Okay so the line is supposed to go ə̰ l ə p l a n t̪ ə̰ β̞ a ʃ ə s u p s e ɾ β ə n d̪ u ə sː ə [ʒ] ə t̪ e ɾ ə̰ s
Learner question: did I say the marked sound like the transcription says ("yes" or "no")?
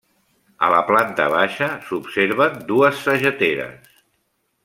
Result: yes